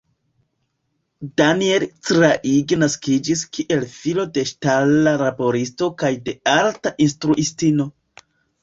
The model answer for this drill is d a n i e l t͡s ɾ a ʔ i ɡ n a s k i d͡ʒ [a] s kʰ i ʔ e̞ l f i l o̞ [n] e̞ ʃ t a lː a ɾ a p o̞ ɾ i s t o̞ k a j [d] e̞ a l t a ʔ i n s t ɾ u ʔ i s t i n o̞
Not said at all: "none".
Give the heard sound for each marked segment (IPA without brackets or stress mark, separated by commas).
i, d, d